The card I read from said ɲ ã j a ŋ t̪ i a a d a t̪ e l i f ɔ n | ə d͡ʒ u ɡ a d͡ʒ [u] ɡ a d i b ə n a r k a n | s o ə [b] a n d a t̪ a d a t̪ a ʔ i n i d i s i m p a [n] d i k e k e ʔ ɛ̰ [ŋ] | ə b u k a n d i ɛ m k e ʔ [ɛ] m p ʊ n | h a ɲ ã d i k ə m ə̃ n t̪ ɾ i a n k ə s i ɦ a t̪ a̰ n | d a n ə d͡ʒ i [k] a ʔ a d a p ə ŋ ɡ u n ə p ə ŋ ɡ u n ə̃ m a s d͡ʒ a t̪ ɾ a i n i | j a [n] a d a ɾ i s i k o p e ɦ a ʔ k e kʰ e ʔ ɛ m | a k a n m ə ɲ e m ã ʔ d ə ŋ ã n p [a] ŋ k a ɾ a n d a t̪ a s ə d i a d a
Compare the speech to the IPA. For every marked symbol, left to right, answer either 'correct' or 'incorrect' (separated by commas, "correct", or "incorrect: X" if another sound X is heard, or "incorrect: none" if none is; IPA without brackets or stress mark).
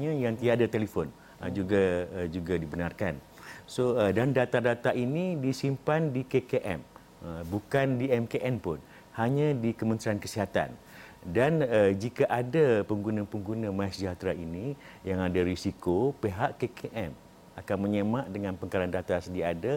correct, incorrect: d, correct, incorrect: m, correct, correct, incorrect: ŋ, incorrect: ə